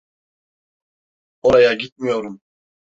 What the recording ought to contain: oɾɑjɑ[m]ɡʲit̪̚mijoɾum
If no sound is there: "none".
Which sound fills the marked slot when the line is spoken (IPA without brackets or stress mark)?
none